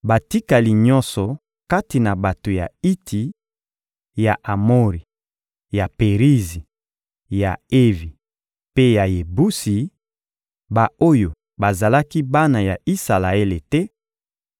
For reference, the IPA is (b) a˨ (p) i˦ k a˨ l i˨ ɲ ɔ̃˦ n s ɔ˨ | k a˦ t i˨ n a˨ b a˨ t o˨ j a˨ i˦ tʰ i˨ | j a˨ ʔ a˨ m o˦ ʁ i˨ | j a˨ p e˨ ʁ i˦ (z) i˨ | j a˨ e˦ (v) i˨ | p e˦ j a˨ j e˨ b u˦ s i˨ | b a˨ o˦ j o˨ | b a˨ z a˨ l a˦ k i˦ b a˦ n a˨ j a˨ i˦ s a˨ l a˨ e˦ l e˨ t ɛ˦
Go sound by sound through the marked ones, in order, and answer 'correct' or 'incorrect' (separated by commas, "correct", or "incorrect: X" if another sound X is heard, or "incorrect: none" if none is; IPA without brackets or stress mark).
correct, incorrect: t, correct, correct